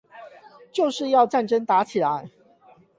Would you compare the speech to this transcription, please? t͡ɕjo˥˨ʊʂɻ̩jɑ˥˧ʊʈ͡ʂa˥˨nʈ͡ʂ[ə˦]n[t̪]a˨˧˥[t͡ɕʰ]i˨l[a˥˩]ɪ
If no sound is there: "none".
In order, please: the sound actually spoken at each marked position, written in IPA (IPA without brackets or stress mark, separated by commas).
ə˦, t̪, t͡ɕʰ, a˦